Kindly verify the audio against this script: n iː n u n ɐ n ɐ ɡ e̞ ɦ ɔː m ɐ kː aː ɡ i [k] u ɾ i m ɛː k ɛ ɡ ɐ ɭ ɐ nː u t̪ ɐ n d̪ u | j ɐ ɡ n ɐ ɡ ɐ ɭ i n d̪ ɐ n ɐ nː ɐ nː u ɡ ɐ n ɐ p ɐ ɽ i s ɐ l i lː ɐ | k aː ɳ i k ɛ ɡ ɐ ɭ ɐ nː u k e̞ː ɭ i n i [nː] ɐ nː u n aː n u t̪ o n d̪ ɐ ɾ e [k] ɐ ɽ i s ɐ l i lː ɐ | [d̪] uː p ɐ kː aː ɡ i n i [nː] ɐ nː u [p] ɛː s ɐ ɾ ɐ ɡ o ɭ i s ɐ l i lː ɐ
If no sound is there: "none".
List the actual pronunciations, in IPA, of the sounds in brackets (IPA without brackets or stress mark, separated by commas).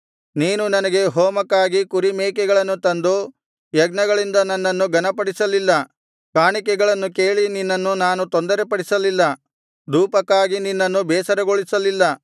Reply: k, nː, p, d̪, nː, b